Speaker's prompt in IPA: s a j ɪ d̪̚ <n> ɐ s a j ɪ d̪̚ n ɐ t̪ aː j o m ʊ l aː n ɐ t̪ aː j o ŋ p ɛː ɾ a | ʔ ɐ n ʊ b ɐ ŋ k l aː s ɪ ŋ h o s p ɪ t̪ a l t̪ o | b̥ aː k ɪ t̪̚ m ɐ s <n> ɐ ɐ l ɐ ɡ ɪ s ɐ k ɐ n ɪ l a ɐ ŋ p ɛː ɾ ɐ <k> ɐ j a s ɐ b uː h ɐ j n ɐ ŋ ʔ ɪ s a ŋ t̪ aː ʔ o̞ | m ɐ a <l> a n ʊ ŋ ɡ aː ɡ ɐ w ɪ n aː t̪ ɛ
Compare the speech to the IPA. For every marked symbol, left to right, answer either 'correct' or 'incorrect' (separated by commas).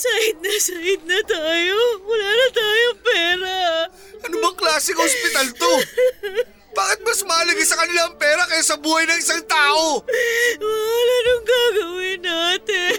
correct, incorrect, correct, correct